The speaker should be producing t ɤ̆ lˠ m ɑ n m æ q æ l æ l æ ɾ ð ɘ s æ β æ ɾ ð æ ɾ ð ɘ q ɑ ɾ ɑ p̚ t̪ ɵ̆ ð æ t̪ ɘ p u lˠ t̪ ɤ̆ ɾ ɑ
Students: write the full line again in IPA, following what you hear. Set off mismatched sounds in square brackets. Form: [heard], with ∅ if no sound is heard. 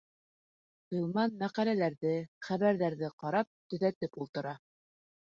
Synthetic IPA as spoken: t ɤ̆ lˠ m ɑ n m æ q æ l æ l æ ɾ ð ɘ [χ] æ β æ ɾ ð æ ɾ ð ɘ q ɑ ɾ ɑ p̚ t̪ ɵ̆ ð æ t̪ ɘ p u lˠ t̪ ɤ̆ ɾ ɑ